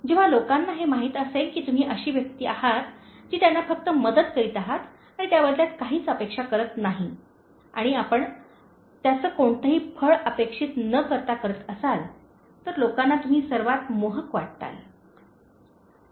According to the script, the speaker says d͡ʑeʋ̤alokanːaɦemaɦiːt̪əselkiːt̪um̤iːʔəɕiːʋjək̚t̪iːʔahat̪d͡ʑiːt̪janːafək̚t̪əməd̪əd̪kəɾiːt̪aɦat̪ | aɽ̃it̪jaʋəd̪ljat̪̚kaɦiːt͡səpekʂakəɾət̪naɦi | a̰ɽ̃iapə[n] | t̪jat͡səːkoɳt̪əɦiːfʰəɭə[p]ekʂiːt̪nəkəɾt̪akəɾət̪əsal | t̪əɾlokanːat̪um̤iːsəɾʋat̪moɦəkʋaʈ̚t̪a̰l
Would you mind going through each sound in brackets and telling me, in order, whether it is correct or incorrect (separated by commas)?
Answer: incorrect, correct